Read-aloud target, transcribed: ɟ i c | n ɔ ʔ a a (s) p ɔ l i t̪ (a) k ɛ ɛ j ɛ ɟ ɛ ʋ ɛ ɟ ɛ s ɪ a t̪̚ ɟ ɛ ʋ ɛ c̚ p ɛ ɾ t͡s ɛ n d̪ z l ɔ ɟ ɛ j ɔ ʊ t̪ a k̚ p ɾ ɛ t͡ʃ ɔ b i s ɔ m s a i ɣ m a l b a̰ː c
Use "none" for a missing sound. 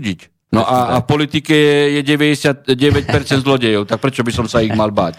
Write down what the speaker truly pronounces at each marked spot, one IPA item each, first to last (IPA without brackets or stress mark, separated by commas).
f, i